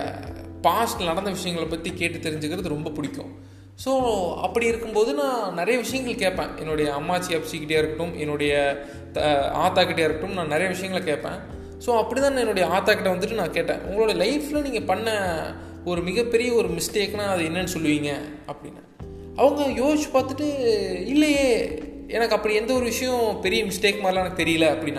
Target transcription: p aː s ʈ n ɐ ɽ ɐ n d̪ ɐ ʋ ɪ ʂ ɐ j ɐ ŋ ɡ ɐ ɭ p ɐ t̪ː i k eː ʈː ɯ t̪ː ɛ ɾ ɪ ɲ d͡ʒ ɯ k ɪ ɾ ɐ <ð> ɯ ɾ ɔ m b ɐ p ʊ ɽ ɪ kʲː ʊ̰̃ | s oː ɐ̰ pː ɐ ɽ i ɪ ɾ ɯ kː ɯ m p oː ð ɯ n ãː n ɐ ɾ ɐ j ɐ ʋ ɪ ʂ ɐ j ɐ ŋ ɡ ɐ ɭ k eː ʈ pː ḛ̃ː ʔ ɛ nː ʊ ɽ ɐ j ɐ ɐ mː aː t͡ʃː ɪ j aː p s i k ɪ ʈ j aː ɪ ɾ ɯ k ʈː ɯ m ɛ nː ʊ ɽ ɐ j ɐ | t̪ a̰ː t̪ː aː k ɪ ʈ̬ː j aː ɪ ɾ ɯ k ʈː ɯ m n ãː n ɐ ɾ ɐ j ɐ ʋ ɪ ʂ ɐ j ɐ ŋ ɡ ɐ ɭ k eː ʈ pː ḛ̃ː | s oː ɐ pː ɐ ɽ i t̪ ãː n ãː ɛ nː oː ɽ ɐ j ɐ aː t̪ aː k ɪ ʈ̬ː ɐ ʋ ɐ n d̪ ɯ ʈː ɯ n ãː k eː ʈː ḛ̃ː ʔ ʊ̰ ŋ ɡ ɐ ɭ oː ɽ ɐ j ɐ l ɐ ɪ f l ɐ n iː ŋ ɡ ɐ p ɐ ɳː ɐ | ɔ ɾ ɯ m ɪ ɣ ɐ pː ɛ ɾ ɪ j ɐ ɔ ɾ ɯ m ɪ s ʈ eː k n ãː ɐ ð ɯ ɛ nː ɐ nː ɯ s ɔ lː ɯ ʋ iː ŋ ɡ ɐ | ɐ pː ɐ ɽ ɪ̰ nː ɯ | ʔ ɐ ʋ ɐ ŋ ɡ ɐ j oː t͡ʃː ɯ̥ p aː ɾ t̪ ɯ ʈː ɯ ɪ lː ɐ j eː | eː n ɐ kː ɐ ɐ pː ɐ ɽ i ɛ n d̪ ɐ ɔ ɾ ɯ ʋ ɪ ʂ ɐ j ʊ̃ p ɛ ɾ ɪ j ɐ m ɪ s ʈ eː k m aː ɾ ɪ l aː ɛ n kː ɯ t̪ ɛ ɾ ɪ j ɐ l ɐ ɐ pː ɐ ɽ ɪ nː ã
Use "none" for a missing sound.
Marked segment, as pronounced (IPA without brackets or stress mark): ð